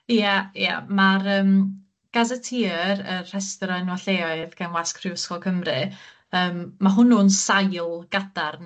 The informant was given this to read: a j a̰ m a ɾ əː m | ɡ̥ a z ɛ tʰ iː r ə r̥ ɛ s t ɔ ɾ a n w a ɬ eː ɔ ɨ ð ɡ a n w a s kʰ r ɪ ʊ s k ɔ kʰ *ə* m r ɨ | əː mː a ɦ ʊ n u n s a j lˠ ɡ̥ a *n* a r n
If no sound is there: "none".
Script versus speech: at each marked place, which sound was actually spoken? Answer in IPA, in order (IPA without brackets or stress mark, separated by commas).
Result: ə, d